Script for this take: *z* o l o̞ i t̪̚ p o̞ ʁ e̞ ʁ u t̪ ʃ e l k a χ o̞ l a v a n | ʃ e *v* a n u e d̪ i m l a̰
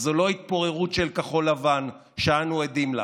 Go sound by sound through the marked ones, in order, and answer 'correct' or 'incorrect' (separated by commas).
correct, incorrect